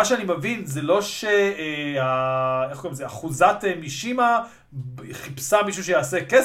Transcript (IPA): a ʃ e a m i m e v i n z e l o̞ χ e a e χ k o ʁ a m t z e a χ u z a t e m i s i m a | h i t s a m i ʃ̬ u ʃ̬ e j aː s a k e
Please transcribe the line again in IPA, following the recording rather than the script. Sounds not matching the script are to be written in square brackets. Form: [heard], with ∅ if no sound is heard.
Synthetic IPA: a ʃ e a [n] i m e v i n z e l o̞ [ʃ] e a e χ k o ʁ [i] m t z e a χ u z a t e m i [ʃ] i m a | [χ] i [p] s a m i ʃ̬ u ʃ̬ e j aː s [e] k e